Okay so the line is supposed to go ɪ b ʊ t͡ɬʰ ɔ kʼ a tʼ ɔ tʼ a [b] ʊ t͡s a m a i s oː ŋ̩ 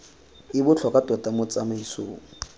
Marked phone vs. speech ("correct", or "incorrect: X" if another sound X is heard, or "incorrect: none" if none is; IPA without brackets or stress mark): incorrect: m